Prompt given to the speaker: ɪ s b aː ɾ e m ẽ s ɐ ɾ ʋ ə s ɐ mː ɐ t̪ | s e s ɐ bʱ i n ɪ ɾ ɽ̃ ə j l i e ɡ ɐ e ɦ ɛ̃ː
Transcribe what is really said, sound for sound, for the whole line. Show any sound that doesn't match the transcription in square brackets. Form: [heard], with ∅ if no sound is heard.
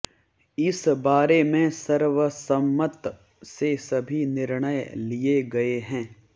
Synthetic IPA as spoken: ɪ s b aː ɾ e m ẽ s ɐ ɾ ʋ ə s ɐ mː [ə] t̪ | s e s ɐ bʱ i n ɪ ɾ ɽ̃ ə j l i e ɡ ɐ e ɦ ɛ̃ː